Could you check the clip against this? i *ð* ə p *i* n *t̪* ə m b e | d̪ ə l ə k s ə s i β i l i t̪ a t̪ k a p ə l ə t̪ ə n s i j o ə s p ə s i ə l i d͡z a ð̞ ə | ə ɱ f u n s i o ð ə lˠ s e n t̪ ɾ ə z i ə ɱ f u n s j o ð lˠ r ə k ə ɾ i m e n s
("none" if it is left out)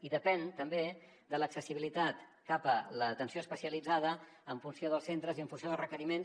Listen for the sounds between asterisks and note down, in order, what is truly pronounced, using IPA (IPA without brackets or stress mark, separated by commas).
ð, ɛ, t̪